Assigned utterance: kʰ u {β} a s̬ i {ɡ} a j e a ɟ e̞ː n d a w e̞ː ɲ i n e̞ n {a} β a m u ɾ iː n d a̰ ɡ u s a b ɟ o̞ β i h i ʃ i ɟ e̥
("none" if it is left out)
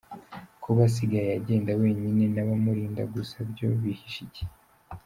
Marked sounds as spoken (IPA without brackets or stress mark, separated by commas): β, ɡ, a